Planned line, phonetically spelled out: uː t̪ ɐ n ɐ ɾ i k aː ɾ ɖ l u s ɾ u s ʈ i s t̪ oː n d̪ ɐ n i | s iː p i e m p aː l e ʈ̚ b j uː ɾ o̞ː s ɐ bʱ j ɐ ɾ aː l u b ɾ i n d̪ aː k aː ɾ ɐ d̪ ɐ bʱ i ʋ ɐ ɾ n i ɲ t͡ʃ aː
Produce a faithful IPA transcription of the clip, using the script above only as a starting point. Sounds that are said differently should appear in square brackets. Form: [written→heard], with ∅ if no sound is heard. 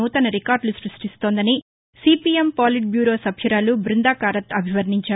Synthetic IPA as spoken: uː t̪ ɐ n ɐ ɾ i k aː ɾ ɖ l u s ɾ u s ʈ i s t̪ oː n d̪ ɐ n i | s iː p i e m p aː l [e→i] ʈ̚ b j uː ɾ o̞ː s ɐ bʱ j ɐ ɾ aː l u b ɾ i n d̪ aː k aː ɾ ɐ [d̪→t̪] ɐ bʱ i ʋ ɐ ɾ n i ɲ t͡ʃ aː